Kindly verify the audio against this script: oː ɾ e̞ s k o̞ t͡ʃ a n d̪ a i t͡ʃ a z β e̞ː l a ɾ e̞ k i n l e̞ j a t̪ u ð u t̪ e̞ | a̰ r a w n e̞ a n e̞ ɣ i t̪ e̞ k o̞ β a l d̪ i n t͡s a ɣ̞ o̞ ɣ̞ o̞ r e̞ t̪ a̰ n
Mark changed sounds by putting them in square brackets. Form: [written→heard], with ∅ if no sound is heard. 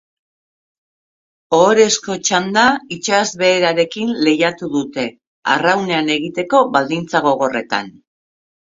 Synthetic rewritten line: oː ɾ e̞ s k o̞ t͡ʃ a n d̪ a i t͡ʃ a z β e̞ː [l→ɾ] a ɾ e̞ k i n l e̞ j a t̪ u ð u t̪ e̞ | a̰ r a w n e̞ a n e̞ ɣ i t̪ e̞ k o̞ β a l d̪ i n t͡s a ɣ̞ o̞ ɣ̞ o̞ r e̞ t̪ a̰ n